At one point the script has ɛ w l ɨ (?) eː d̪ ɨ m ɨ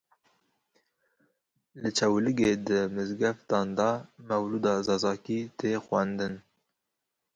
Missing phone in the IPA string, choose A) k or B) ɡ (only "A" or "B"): B